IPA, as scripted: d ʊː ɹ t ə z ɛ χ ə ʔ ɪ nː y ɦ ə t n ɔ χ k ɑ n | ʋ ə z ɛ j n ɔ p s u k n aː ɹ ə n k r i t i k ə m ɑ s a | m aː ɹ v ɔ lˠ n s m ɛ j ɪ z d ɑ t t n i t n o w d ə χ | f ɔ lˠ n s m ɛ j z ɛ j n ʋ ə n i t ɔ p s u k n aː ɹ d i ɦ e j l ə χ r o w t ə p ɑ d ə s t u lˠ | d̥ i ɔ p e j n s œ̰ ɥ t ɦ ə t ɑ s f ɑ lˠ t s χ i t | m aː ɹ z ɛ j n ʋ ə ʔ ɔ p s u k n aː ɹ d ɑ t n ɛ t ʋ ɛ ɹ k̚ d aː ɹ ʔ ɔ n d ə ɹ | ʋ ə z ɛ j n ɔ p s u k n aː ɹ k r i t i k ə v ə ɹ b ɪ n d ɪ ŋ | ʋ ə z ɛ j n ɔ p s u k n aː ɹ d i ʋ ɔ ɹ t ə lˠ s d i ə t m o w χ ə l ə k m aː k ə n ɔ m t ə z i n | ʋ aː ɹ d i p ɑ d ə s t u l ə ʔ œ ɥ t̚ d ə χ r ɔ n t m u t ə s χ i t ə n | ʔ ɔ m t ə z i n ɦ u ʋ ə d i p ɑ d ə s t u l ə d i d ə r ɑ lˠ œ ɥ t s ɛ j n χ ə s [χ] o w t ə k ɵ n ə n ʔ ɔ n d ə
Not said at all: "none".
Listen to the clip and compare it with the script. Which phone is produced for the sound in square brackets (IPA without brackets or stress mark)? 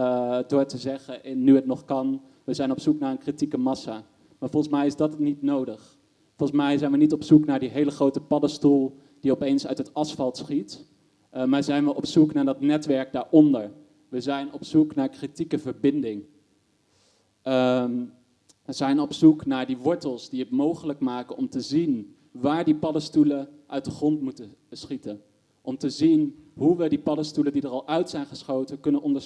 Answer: χ